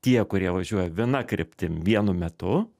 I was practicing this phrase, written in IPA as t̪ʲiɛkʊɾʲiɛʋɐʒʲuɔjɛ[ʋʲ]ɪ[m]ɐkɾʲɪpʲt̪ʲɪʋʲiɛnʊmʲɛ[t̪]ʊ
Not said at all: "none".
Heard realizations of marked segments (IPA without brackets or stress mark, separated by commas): ʋʲ, n, t̪